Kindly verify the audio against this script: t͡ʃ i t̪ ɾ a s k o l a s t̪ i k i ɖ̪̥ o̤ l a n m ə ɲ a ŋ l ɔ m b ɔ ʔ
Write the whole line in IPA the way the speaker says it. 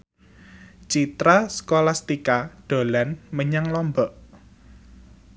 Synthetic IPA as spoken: t͡ʃ i t̪ ɾ a s k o l a s t̪ i k a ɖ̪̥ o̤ l a n m ə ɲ a ŋ l ɔ m b ɔ ʔ